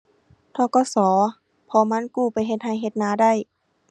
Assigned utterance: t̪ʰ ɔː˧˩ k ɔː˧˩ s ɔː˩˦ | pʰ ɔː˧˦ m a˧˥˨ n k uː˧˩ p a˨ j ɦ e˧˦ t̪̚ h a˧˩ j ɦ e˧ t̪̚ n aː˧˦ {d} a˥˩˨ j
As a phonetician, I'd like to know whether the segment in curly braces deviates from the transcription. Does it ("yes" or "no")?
no